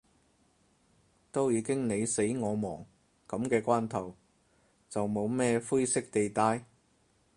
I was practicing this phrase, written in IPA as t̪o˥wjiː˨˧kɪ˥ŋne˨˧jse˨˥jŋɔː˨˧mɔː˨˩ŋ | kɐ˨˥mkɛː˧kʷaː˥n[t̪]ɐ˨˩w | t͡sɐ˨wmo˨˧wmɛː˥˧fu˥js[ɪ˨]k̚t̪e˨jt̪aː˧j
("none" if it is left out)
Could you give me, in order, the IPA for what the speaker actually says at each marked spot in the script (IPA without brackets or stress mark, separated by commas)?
t̪ʰ, ɪ˥